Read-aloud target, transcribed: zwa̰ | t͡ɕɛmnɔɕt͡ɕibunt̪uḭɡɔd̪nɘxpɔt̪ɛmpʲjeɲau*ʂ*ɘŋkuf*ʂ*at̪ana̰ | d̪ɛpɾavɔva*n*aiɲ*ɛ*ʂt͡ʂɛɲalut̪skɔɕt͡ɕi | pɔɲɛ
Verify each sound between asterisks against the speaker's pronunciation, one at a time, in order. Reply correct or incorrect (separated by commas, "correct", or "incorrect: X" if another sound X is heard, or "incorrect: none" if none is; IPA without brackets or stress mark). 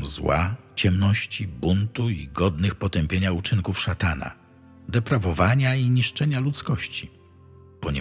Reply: incorrect: t͡ʂ, correct, incorrect: ɲ, incorrect: i